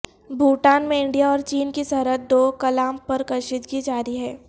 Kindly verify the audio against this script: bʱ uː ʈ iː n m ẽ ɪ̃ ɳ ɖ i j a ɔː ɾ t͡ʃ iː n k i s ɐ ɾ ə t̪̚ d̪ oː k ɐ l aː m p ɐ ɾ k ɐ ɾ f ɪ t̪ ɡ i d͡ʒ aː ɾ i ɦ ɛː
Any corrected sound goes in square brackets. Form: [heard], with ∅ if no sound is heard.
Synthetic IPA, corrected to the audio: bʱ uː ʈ [aː] n m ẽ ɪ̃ ɳ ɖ i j a ɔː ɾ t͡ʃ iː n k i s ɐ ɾ ə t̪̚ d̪ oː k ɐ l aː m p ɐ ɾ k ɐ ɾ [ʃ] ɪ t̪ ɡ i d͡ʒ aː ɾ i ɦ ɛː